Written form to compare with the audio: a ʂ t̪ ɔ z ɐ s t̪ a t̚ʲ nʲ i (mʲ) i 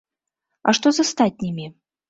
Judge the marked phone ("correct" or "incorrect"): correct